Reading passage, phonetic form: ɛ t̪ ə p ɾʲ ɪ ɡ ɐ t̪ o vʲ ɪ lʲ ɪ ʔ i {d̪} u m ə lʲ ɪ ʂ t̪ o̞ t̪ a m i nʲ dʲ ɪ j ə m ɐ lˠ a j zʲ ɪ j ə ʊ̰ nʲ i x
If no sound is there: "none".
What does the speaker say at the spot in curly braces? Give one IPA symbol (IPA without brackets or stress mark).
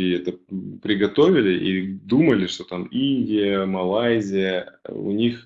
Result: d̪